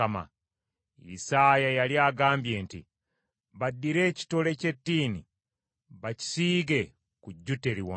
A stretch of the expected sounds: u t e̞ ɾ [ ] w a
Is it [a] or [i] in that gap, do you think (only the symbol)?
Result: i